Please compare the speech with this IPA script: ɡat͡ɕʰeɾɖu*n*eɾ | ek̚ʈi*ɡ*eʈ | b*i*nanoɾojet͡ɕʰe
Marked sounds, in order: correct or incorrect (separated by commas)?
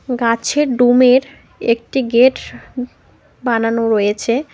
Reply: incorrect, correct, incorrect